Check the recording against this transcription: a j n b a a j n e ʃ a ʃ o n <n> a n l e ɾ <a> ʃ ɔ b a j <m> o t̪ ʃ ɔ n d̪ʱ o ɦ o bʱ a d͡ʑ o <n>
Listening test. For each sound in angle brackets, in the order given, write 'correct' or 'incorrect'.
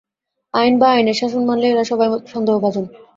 incorrect, correct, correct, correct

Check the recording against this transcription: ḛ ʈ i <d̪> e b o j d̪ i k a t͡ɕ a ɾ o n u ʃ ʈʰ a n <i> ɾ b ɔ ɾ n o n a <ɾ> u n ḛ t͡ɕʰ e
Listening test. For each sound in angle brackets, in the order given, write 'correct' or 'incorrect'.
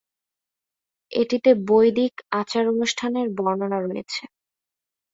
incorrect, incorrect, correct

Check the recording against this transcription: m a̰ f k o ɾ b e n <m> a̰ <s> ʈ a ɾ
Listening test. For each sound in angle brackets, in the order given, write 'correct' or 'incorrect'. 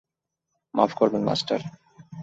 correct, correct

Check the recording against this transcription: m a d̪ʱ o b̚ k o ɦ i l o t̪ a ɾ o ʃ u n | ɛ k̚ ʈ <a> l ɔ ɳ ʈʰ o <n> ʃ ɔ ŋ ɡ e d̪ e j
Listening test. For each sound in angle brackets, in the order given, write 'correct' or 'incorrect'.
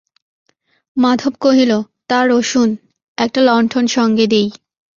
correct, correct

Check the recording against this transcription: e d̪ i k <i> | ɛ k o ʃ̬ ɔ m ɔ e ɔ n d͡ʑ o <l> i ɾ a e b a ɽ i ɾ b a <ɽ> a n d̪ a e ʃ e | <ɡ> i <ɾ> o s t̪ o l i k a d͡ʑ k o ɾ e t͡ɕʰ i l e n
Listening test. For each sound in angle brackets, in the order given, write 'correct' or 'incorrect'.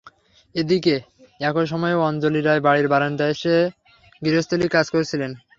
incorrect, correct, incorrect, correct, correct

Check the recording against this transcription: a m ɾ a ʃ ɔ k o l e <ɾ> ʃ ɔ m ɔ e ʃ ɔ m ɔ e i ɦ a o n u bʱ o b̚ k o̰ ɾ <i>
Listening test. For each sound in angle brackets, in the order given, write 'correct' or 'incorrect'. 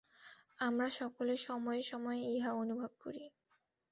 correct, correct

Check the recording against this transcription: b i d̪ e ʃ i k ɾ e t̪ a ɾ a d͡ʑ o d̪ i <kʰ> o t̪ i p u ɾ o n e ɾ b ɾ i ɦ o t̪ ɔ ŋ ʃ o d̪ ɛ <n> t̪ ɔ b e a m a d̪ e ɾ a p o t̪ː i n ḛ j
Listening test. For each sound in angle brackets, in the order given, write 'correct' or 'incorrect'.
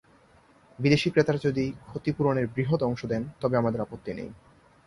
correct, correct

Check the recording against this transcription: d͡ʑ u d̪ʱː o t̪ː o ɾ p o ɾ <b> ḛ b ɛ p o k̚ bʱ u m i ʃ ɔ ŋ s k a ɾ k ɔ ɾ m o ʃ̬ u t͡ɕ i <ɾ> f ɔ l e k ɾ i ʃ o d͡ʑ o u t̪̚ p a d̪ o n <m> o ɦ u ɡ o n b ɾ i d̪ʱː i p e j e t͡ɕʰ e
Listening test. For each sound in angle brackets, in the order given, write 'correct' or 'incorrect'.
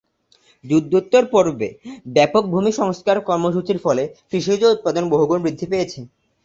correct, correct, incorrect

